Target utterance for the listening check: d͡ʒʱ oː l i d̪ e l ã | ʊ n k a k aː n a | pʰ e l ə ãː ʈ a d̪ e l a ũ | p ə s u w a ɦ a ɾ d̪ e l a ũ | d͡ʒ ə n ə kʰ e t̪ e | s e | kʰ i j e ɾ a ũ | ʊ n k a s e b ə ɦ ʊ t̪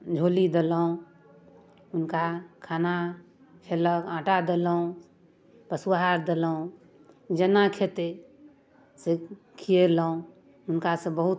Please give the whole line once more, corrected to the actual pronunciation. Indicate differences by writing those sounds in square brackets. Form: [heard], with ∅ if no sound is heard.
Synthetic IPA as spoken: d͡ʒʱ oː l i d̪ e l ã | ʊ n k a [kʰ] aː n a | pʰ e l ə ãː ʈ a d̪ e l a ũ | p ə s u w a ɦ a ɾ d̪ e l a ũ | d͡ʒ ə n [a] kʰ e t̪ e | s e | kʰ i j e [l] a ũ | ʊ n k a s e b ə ɦ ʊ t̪